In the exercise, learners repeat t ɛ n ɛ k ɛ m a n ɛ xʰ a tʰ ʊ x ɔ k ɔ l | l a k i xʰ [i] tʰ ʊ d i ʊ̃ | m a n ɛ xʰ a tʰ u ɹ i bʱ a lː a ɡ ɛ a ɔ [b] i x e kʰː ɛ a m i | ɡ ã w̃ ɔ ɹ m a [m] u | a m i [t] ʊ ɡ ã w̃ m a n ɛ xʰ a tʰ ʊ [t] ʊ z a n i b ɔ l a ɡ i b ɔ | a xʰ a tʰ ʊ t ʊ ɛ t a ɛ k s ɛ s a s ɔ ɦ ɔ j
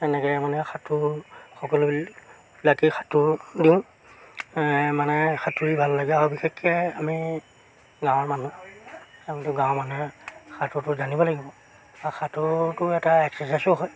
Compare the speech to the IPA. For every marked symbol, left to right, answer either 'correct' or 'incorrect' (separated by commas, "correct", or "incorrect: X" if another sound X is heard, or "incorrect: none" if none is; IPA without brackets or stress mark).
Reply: incorrect: a, correct, incorrect: n, correct, correct